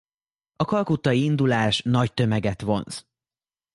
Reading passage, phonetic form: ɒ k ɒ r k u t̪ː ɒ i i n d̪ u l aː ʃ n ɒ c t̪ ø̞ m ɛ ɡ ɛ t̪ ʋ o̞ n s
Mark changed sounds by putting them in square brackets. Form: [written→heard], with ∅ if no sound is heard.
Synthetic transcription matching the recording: ɒ k ɒ [r→l] k u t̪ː ɒ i i n d̪ u l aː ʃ n ɒ c t̪ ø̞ m ɛ ɡ ɛ t̪ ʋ o̞ n s